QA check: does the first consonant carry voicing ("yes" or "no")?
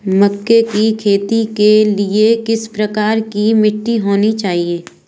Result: yes